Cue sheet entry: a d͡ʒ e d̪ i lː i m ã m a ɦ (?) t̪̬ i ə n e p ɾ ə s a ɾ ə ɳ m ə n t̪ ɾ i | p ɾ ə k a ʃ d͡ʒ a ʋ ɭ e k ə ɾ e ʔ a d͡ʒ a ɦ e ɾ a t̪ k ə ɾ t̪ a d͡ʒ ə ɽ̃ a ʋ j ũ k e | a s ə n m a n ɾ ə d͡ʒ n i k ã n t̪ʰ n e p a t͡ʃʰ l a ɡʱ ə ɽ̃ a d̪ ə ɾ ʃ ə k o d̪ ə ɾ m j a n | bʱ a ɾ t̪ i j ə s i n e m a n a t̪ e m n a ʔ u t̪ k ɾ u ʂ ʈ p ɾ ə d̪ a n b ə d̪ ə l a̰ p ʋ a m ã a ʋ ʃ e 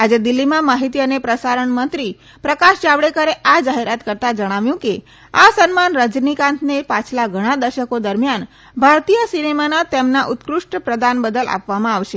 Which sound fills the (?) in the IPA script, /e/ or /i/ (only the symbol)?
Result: i